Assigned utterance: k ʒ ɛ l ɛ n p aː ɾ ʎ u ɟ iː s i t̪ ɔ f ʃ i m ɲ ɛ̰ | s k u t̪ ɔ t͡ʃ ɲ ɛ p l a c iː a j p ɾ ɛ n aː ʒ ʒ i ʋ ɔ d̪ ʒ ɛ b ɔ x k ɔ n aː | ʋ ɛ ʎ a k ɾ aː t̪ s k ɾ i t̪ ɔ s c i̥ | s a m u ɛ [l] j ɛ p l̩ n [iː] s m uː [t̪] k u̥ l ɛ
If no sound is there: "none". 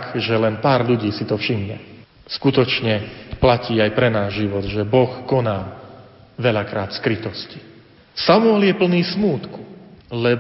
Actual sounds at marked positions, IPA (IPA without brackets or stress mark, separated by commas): l, iː, t̪